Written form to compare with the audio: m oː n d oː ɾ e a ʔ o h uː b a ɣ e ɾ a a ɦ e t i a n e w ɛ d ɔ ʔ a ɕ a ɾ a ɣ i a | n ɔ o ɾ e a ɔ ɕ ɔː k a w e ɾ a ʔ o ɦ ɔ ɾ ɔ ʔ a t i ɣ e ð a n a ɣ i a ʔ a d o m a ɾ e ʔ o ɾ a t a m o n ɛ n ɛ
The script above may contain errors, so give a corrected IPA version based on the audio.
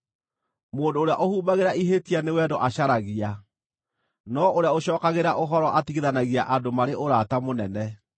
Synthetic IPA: m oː n d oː ɾ e a ʔ o h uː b a ɣ e ɾ a i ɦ e t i a n e w ɛ d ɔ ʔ a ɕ a ɾ a ɣ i a | n ɔ o ɾ e a o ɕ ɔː k a ɣ e ɾ a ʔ o ɦ ɔ ɾ ɔ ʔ a t i ɣ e ð a n a ɣ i a ʔ a d o m a ɾ e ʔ o ɾ a t a m o n ɛ n ɛ